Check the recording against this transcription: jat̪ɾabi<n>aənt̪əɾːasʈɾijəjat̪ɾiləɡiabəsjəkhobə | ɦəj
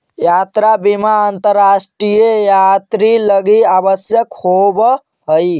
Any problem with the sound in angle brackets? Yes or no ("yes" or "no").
yes